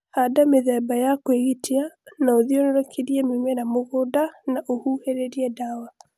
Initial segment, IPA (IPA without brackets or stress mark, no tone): h